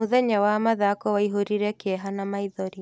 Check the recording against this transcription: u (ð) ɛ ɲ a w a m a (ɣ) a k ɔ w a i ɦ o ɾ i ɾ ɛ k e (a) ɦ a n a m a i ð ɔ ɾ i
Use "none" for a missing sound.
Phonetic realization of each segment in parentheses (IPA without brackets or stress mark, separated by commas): ð, ð, ɛ